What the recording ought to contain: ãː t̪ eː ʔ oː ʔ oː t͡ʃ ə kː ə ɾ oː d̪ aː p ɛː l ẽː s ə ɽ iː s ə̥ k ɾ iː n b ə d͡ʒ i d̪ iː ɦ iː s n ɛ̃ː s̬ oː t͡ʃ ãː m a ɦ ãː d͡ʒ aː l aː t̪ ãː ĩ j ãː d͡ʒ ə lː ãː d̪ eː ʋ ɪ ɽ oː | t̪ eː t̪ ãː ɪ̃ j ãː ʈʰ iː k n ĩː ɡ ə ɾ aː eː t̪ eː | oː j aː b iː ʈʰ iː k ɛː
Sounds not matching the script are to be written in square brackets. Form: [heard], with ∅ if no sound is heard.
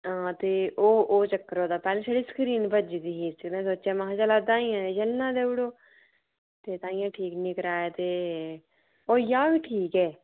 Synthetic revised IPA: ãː t̪ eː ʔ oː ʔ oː t͡ʃ ə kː ə ɾ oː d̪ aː p ɛː l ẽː s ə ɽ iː s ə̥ k ɾ iː n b ə d͡ʒ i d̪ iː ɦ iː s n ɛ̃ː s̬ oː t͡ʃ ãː m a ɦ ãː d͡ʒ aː l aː [d̪] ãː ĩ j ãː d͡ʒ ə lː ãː d̪ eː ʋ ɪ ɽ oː | t̪ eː t̪ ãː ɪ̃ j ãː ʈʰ iː k n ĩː [k] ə ɾ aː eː t̪ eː | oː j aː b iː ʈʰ iː k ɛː